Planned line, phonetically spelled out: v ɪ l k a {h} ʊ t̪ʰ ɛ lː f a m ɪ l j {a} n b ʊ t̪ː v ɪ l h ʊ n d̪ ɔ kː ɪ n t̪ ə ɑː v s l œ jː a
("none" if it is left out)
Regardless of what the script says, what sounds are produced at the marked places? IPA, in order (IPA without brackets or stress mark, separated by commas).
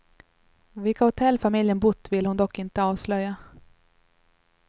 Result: h, ə